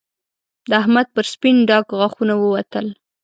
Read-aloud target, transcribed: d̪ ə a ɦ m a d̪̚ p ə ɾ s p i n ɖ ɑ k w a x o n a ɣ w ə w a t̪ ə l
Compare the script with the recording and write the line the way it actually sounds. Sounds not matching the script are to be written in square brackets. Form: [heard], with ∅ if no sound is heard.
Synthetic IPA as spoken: d̪ ə a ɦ m a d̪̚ p ə ɾ s p i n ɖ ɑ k [ɣ] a x [u] n a [∅] w ə w a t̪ ə l